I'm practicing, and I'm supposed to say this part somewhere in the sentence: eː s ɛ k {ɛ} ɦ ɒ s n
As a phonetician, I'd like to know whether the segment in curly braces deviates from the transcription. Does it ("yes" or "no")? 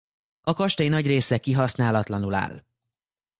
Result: yes